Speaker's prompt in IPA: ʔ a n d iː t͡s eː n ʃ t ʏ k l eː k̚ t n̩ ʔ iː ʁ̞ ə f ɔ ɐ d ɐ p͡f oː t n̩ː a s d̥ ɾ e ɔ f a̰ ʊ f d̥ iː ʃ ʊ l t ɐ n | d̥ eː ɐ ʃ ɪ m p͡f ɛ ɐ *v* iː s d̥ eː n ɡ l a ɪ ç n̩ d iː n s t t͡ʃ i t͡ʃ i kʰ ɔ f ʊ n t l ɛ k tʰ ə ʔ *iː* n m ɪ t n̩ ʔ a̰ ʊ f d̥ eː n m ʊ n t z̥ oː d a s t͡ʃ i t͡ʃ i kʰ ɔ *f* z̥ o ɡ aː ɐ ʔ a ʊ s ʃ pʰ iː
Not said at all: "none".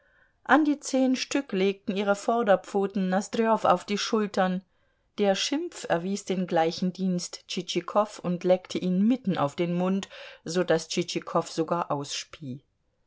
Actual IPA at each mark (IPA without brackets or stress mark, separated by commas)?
v, iː, f